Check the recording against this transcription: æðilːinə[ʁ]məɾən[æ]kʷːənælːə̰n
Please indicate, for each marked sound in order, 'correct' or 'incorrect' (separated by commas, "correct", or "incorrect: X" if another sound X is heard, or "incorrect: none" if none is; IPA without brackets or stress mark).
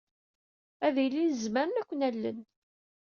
incorrect: z, correct